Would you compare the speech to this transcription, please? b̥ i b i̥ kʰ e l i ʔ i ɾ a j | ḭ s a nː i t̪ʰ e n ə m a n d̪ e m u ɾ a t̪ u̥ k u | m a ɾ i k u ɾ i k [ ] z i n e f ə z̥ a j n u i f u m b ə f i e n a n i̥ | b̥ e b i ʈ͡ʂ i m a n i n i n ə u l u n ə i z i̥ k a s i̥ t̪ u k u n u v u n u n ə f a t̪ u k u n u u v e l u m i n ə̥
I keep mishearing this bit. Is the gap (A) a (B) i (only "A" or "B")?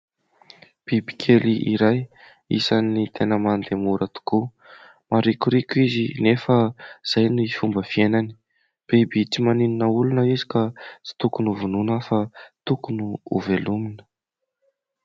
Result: B